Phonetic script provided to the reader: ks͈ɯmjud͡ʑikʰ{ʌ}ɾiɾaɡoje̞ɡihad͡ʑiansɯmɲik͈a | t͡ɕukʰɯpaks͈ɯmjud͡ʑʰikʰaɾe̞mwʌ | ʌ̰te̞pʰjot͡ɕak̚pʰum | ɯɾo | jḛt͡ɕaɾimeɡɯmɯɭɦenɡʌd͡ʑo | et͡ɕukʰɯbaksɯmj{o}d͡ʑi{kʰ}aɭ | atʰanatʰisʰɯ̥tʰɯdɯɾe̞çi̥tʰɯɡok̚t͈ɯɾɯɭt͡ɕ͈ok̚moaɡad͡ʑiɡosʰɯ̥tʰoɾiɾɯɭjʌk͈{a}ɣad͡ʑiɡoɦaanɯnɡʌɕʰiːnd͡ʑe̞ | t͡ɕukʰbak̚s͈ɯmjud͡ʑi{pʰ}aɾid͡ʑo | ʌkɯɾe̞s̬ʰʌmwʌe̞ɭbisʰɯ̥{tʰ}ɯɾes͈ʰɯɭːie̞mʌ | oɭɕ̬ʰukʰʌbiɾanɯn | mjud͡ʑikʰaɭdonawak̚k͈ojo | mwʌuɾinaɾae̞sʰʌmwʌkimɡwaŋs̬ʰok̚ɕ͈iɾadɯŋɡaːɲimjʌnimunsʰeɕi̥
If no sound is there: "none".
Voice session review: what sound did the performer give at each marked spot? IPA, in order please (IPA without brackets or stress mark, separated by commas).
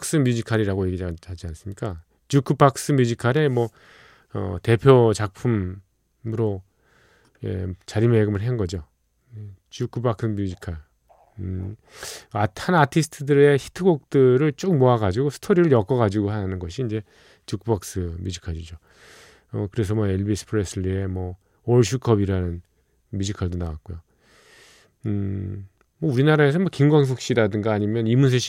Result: a, u, kʰ, ʌ, kʰ, pʰ